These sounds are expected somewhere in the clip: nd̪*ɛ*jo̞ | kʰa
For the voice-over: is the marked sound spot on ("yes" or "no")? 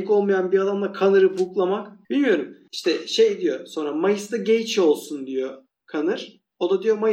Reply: no